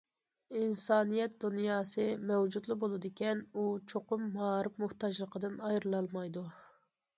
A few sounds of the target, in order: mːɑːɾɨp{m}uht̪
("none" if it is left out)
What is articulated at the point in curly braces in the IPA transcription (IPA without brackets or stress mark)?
m